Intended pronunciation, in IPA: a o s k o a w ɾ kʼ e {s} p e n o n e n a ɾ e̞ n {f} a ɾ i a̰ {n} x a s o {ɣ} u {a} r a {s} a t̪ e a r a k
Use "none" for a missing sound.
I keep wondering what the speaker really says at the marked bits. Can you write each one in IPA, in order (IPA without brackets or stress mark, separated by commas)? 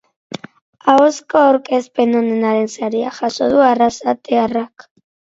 s, s, none, ð, a, s